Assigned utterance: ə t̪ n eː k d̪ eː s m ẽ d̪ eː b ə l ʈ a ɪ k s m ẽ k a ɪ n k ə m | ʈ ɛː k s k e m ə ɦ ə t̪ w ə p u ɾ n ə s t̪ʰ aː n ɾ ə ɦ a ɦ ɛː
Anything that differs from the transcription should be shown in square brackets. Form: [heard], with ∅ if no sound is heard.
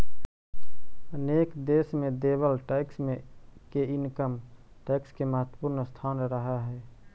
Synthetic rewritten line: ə [∅] n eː k d̪ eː s m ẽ d̪ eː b ə l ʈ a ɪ k s m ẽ k [e] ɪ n k ə m | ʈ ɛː k s k e m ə ɦ ə t̪ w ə p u ɾ n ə s t̪ʰ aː n ɾ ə ɦ a ɦ ɛː